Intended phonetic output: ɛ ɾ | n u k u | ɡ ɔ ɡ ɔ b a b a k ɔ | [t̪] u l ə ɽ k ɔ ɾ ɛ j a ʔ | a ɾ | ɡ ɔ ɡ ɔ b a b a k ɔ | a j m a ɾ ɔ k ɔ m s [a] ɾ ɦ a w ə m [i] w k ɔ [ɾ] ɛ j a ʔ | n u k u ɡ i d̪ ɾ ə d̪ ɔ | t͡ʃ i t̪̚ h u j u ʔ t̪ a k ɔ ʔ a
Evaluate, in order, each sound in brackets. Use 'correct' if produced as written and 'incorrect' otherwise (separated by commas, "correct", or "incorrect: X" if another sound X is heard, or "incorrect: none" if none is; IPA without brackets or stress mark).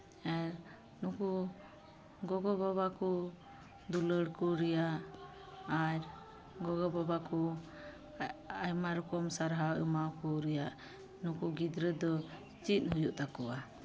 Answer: incorrect: d̪, correct, incorrect: a, correct